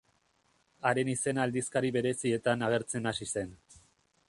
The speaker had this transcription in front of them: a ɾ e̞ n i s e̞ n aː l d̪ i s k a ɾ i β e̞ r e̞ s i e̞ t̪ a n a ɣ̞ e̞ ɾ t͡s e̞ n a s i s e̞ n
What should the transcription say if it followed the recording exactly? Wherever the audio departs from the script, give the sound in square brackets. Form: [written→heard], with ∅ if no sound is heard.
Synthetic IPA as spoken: a ɾ e̞ n i s e̞ n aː l d̪ i s k a ɾ i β e̞ [r→ɾ] e̞ s i e̞ t̪ a n a ɣ̞ e̞ ɾ t͡s e̞ n a s i s e̞ n